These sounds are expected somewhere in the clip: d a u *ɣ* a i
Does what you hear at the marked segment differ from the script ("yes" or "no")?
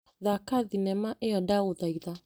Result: yes